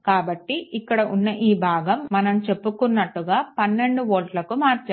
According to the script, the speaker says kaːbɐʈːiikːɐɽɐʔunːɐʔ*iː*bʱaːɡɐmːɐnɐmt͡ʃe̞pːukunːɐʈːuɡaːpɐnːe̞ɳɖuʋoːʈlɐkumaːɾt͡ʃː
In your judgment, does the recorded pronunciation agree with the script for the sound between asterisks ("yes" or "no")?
yes